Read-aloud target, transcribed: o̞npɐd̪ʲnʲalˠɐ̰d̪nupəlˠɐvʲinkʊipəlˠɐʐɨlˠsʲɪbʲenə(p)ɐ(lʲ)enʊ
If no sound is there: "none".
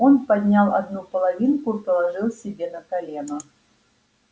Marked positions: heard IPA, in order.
k, lʲ

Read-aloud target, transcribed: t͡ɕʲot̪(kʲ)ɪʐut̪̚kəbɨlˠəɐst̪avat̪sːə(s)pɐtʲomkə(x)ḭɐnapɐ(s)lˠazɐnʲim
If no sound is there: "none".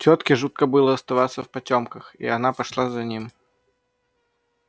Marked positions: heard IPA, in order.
kʲ, f, x, ʂ

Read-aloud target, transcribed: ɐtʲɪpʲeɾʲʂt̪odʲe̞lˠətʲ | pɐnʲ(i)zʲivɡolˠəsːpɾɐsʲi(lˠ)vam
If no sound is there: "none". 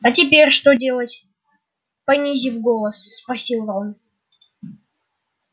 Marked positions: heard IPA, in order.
i, lˠ

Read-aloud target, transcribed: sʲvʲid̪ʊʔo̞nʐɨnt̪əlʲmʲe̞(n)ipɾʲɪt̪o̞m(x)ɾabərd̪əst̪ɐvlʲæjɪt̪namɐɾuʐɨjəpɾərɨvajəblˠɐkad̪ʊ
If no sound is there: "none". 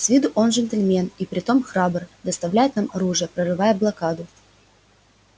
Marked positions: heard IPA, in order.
n, x

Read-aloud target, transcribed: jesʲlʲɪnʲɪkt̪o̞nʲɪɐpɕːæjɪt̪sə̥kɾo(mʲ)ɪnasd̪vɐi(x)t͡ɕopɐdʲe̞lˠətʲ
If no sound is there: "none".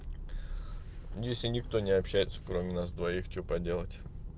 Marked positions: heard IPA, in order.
mʲ, x

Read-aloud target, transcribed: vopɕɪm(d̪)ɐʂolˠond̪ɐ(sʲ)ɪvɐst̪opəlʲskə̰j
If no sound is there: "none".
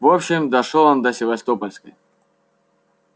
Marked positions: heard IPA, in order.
d̪, sʲ

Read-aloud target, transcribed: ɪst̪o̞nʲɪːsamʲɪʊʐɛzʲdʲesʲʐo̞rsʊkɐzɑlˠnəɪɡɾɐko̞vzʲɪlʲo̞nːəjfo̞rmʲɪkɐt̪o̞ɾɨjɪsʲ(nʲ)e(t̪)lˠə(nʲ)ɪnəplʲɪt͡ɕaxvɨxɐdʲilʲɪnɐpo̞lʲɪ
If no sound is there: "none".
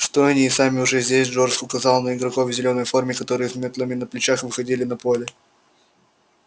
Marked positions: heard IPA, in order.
mʲ, t̪, mʲ

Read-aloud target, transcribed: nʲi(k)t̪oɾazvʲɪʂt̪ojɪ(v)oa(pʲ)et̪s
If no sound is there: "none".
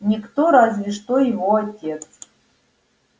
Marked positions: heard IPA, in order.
k, v, tʲ

